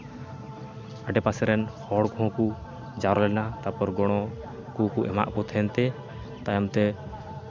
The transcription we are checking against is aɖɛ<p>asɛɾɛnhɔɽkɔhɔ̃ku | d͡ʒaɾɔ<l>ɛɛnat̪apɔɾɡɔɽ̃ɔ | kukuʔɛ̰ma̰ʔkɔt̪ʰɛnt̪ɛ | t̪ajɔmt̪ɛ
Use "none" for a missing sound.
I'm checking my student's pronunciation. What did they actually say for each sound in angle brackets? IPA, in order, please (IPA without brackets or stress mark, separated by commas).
p, l